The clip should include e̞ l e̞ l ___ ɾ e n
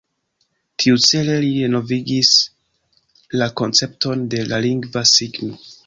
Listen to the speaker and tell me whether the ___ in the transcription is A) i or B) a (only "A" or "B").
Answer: A